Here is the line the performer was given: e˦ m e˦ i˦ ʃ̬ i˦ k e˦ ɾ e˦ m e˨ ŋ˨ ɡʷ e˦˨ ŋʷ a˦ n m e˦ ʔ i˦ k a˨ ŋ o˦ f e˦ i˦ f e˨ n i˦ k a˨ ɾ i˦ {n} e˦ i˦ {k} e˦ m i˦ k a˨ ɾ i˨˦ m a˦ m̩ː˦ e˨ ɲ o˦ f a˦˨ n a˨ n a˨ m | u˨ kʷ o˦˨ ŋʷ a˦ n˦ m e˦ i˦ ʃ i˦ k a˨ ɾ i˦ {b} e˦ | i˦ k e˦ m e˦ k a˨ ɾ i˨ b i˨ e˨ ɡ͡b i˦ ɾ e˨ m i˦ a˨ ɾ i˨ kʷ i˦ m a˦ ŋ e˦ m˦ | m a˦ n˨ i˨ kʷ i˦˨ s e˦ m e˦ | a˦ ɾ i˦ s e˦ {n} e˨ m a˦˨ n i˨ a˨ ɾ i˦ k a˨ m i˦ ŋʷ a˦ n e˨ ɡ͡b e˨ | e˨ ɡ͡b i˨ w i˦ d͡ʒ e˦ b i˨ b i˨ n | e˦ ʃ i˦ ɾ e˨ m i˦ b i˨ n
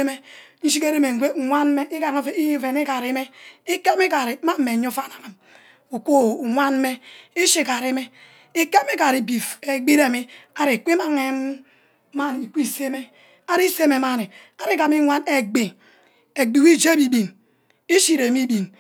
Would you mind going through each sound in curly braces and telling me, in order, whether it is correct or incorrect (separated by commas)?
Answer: incorrect, correct, incorrect, incorrect